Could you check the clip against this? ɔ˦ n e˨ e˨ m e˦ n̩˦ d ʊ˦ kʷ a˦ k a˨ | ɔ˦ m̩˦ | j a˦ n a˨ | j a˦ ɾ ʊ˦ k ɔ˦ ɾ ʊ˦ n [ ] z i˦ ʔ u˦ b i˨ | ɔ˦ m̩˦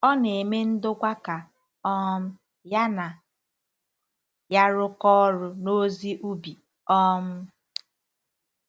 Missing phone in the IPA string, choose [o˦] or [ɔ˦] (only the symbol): o˦